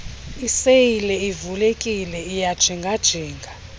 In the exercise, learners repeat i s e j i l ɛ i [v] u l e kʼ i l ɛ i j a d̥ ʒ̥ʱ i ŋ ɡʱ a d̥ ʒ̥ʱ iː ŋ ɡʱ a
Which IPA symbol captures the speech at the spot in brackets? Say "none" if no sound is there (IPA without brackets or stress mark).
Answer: v